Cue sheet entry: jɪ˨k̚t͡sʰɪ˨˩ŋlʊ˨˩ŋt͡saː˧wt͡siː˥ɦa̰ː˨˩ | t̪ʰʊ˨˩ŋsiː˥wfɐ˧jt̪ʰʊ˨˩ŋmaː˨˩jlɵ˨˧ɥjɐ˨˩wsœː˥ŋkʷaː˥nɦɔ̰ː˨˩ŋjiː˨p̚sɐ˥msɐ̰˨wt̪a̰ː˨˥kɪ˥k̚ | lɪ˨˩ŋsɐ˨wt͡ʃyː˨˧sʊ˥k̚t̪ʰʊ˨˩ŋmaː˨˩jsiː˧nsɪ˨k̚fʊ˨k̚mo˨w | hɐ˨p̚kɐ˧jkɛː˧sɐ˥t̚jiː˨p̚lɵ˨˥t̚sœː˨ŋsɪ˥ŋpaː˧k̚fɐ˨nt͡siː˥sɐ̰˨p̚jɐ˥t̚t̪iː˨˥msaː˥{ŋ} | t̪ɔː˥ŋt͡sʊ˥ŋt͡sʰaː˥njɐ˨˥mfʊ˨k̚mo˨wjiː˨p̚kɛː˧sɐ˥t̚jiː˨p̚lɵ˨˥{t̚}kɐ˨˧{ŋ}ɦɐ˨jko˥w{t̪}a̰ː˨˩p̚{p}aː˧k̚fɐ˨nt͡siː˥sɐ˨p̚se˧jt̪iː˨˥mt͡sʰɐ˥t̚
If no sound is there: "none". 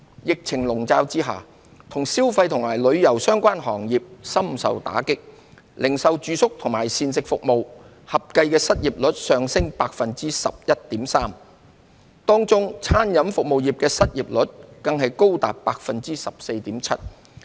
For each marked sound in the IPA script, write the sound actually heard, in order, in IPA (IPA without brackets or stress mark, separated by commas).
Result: m, t̚, ŋ, t̪, p